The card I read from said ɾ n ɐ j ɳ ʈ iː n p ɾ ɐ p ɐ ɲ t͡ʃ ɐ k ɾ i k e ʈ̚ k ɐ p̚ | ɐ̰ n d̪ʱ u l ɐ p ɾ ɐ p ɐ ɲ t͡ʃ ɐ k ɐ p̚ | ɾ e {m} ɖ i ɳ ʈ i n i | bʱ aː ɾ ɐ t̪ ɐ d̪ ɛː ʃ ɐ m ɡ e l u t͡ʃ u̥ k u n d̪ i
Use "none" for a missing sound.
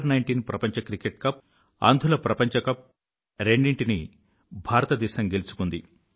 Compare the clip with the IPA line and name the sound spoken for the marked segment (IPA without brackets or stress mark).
ɳ